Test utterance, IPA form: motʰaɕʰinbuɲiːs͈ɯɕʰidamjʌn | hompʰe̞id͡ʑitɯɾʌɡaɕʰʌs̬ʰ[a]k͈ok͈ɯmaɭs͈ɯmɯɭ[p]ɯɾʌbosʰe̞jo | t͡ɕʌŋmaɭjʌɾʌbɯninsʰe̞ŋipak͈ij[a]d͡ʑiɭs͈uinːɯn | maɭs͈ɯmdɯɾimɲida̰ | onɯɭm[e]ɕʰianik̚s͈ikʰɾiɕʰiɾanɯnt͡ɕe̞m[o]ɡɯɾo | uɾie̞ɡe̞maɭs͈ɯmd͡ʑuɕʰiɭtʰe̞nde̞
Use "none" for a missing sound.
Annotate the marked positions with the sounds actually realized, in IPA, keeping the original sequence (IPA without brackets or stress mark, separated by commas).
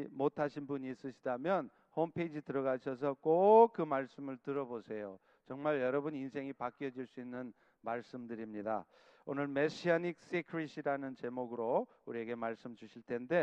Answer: ʌ, t, ʌ, e, o